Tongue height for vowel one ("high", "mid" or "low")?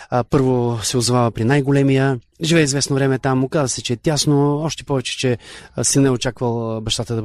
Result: mid